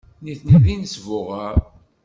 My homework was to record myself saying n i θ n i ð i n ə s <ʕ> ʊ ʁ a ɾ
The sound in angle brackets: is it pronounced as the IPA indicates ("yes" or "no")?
no